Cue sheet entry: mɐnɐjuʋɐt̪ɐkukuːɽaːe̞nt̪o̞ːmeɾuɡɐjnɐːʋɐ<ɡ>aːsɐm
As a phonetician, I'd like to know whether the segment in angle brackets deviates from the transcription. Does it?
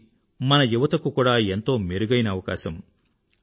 yes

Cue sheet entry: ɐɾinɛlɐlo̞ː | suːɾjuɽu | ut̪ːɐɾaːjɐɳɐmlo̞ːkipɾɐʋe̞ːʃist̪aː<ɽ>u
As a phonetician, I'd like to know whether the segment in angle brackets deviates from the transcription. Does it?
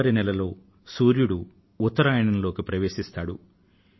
no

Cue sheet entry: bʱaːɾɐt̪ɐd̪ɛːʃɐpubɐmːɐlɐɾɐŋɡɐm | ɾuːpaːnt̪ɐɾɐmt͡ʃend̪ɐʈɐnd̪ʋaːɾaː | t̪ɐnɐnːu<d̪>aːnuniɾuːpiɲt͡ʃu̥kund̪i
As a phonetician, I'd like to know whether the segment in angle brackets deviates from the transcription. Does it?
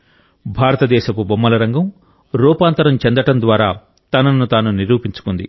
yes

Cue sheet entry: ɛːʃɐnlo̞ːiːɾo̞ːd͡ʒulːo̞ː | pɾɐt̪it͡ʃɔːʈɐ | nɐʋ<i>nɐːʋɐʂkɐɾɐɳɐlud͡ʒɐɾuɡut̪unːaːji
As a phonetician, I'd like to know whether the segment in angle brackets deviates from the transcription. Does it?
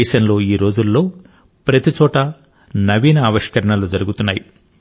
yes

